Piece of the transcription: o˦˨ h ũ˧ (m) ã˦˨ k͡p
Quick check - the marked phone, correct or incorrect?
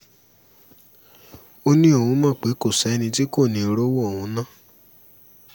correct